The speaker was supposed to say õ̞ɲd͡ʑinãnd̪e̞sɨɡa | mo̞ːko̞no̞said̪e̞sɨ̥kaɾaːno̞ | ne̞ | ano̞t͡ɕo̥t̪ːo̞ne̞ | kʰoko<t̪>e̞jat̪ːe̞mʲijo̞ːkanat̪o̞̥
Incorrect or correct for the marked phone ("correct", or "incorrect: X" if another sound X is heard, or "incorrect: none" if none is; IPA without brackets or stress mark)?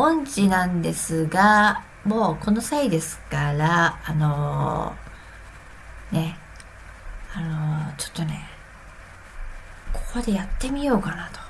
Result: incorrect: d̪